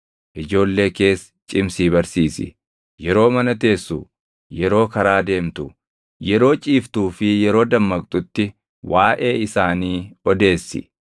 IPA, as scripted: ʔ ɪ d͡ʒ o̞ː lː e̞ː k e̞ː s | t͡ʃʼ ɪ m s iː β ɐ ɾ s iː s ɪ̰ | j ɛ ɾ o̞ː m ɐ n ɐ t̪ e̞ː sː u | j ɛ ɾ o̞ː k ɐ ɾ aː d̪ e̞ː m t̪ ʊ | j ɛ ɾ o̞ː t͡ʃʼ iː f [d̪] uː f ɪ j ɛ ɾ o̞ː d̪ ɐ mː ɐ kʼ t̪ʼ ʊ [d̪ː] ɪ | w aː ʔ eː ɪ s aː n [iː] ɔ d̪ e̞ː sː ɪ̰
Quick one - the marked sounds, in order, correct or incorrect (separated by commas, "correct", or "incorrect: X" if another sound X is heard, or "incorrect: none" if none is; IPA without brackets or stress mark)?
incorrect: t̪, incorrect: t̪ː, correct